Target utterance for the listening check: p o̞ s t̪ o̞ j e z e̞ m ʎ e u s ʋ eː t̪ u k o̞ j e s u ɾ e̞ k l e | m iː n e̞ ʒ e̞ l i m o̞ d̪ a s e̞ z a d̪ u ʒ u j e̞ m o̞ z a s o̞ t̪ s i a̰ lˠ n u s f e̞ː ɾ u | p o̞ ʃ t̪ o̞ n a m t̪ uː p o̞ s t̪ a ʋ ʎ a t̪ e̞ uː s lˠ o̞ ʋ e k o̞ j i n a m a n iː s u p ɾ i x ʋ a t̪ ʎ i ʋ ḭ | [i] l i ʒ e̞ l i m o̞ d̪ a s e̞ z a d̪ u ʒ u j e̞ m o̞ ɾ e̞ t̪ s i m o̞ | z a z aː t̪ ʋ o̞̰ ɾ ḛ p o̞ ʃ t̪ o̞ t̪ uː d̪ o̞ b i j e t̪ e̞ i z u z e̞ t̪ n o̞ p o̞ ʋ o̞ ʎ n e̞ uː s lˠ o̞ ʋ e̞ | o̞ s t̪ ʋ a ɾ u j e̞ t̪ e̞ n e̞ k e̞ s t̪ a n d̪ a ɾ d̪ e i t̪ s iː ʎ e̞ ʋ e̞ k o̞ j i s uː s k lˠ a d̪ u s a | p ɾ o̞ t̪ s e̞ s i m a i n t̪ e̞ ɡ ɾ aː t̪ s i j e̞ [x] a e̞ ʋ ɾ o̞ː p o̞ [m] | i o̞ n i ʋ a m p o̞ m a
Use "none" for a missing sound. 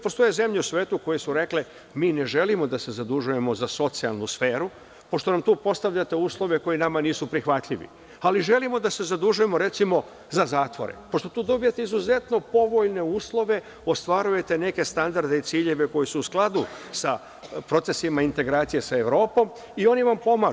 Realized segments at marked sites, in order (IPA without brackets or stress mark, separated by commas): a, s, m